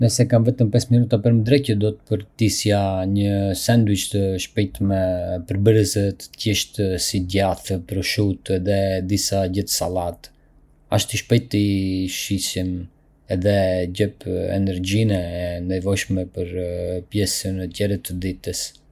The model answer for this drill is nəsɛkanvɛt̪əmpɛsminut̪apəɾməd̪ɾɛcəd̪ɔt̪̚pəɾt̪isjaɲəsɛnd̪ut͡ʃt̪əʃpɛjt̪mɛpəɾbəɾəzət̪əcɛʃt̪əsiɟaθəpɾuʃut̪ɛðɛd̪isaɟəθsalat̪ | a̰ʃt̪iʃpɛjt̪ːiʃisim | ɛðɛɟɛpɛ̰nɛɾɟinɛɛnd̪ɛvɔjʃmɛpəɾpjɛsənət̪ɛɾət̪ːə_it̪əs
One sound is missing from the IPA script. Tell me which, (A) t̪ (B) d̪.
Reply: B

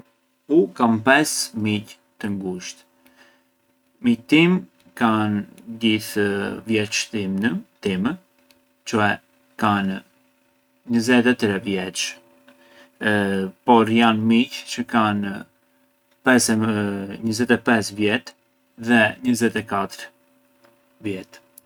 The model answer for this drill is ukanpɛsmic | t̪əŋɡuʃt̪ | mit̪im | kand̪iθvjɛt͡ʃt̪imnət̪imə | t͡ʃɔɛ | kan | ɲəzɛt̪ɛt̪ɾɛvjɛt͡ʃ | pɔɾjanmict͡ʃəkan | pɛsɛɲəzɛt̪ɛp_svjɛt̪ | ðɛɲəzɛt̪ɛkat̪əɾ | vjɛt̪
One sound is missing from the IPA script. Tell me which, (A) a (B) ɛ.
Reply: B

